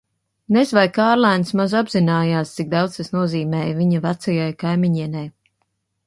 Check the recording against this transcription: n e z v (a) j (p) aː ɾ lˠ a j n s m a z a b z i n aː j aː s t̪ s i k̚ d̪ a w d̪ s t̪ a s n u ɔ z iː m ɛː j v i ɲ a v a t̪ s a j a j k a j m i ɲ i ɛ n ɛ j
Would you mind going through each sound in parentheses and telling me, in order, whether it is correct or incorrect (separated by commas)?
correct, incorrect